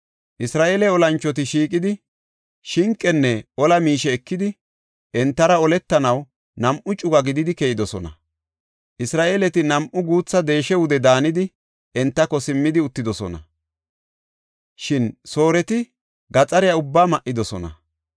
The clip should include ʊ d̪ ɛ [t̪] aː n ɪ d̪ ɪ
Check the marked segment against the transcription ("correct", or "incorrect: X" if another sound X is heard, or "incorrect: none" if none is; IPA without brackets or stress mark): incorrect: d̪